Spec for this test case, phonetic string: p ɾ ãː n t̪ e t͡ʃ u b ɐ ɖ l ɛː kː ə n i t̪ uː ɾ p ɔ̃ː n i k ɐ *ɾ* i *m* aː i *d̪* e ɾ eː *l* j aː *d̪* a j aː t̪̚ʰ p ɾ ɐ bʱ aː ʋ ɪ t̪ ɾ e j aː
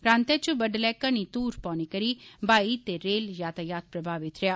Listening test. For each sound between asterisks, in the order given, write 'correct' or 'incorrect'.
correct, incorrect: b, incorrect: t̪, correct, incorrect: t̪

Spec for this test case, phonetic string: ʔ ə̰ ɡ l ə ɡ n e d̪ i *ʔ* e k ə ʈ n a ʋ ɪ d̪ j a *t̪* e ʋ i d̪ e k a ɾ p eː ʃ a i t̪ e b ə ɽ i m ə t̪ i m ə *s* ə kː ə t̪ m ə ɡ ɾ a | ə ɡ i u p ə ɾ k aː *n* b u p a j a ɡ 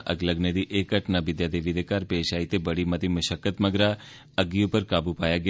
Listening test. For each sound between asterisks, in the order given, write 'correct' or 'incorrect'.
correct, incorrect: d̪, incorrect: ʃ, incorrect: none

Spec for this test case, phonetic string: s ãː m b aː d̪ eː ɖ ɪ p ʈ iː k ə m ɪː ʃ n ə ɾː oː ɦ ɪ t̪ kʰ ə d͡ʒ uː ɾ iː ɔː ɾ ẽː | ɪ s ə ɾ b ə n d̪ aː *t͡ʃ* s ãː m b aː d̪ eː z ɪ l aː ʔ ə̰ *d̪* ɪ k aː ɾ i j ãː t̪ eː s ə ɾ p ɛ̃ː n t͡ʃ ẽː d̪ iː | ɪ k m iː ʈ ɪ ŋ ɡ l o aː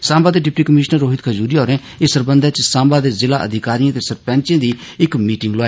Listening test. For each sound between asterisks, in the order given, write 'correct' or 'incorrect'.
correct, correct

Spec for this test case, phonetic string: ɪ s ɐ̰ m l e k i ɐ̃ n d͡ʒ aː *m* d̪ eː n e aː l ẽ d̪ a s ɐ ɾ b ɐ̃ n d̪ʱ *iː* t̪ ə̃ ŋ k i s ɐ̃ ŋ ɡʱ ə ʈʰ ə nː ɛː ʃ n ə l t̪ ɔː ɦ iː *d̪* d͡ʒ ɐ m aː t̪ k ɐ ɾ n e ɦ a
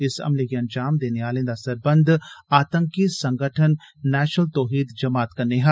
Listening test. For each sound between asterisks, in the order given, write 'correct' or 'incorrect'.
correct, incorrect: aː, correct

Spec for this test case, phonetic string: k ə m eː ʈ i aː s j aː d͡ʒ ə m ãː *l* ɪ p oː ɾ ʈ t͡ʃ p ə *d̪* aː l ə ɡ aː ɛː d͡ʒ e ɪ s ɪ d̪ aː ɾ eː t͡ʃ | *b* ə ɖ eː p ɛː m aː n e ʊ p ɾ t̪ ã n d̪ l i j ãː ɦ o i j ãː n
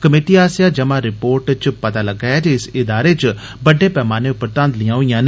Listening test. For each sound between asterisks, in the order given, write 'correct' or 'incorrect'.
incorrect: ɾ, incorrect: t̪, correct

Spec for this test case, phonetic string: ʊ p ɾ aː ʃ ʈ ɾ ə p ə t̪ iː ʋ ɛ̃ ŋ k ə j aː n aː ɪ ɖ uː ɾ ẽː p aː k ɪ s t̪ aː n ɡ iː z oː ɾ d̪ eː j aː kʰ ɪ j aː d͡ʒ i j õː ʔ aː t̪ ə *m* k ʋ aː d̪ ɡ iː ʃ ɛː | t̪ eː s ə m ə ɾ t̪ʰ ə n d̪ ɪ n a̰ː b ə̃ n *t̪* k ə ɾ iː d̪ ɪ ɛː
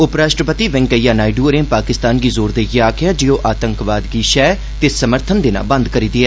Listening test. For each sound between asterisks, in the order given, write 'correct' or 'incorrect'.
incorrect: ŋ, incorrect: d̪

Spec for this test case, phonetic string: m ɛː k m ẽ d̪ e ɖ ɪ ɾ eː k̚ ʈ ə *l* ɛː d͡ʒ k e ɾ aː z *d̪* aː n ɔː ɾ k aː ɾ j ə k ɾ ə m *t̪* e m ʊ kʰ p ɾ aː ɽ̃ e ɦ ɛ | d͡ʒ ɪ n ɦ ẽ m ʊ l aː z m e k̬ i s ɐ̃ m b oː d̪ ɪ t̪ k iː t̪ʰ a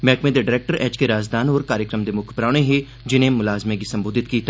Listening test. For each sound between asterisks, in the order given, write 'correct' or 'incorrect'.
incorrect: ɾ, correct, incorrect: d̪

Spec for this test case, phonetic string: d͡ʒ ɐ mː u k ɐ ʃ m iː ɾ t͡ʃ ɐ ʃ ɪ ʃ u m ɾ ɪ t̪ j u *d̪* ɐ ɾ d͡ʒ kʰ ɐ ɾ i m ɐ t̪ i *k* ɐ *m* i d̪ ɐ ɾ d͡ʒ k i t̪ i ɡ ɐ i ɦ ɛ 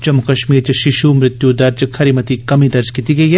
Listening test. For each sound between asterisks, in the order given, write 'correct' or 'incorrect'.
correct, correct, correct

